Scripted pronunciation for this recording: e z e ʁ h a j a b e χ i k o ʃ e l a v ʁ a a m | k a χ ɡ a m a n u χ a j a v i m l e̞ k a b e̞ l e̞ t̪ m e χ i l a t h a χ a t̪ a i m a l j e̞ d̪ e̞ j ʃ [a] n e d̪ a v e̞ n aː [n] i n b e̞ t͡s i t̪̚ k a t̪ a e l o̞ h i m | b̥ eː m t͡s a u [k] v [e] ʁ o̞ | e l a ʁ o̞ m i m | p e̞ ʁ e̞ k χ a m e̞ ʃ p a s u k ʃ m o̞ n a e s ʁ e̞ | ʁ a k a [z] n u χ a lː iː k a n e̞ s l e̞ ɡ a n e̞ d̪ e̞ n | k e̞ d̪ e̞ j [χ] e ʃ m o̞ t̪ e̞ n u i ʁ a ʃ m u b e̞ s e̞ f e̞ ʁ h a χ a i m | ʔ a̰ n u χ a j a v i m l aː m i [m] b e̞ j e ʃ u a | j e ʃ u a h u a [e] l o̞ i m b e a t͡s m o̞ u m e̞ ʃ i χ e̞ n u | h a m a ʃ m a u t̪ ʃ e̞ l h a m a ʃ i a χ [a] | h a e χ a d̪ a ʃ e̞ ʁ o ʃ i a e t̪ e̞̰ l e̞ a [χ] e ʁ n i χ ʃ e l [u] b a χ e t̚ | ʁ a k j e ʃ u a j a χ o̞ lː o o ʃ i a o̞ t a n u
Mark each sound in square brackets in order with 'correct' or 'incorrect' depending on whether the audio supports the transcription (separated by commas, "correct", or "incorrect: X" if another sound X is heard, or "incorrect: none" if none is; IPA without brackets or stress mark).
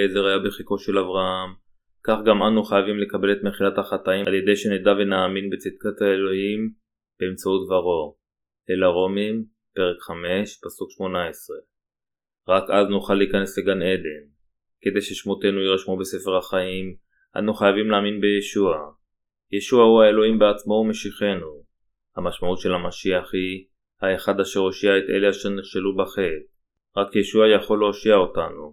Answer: incorrect: e, incorrect: m, incorrect: t, incorrect: a, correct, incorrect: ʃ, incorrect: n, correct, incorrect: i, incorrect: ʃ, correct